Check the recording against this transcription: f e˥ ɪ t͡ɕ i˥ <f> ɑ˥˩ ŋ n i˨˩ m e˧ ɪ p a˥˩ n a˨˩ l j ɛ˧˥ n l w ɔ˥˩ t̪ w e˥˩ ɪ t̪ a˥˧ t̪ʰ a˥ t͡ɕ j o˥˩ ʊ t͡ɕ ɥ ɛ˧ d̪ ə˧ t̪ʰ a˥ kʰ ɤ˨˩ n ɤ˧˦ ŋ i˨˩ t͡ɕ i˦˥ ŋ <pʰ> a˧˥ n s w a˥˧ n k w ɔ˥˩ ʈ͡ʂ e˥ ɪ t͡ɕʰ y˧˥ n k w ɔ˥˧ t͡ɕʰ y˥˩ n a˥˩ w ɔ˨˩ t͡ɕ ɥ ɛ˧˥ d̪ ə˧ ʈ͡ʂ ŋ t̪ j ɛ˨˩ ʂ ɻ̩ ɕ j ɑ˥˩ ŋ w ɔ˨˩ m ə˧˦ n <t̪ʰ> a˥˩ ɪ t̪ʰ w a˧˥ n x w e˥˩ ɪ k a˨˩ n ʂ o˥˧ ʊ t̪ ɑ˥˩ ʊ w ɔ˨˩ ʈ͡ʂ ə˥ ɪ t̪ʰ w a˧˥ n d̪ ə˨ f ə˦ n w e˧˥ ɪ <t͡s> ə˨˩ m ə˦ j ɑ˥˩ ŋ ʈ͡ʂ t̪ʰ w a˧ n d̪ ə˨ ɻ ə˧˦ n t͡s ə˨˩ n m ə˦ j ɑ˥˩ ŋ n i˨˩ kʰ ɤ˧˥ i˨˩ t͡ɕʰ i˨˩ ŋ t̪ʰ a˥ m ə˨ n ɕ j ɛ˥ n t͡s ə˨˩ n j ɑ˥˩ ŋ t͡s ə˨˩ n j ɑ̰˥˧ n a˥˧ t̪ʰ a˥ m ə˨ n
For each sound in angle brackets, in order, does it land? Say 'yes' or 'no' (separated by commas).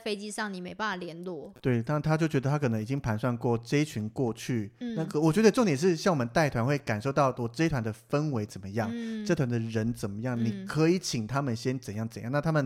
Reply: no, yes, no, yes